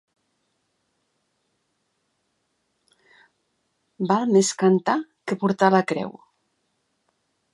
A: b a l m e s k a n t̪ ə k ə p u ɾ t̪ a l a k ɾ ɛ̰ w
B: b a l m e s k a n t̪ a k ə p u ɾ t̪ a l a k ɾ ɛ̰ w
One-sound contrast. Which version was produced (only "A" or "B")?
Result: B